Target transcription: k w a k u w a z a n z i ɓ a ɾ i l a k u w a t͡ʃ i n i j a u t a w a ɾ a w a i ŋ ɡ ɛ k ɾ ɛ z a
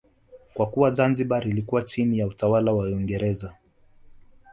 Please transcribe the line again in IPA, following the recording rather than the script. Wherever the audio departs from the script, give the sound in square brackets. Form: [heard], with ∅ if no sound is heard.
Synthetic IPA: k w a k u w a z a n z i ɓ a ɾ i l [i] k u w a t͡ʃ i n i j a u t a w a [l] a w a i ŋ ɡ ɛ [∅] ɾ ɛ z a